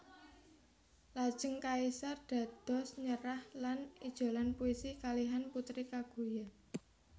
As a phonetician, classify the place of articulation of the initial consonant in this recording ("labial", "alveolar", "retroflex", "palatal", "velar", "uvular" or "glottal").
alveolar